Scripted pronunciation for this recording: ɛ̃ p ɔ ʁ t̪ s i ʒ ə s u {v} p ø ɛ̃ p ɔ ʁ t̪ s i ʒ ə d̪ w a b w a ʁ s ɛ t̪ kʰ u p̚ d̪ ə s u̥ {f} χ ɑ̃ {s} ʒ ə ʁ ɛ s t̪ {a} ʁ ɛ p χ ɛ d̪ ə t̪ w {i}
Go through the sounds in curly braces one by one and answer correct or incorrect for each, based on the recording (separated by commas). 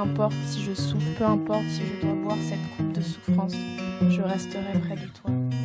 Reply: incorrect, correct, correct, incorrect, incorrect